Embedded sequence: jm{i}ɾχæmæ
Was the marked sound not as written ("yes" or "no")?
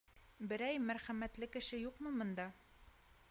yes